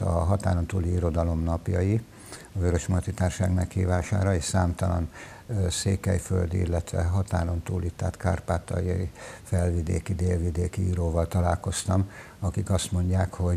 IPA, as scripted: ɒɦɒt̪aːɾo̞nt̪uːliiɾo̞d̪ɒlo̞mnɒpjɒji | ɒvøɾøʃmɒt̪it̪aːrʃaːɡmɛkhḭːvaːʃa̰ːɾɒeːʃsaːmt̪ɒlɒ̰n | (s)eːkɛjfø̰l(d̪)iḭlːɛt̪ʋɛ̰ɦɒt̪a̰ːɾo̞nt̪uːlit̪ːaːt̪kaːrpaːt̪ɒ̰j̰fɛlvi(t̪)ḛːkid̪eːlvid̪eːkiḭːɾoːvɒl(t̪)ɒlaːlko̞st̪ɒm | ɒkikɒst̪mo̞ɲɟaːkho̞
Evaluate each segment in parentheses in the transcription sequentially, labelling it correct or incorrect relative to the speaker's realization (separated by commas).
correct, correct, incorrect, correct